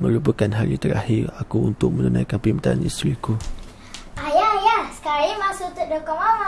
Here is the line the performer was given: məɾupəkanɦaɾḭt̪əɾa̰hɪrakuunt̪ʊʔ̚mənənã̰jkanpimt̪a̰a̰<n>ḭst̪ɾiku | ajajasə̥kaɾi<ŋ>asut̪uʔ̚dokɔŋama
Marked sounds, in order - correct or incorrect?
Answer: correct, incorrect: m

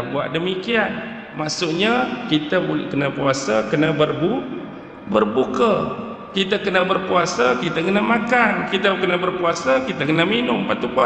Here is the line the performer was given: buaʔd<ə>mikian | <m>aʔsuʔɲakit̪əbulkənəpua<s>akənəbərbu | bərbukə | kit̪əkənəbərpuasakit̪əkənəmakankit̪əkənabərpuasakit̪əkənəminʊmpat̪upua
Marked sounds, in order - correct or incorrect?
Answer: correct, correct, correct

